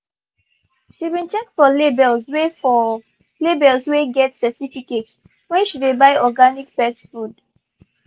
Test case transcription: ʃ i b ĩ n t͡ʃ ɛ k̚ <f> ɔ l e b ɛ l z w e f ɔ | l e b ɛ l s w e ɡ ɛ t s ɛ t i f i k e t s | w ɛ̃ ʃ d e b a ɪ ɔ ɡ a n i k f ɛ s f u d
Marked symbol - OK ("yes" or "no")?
yes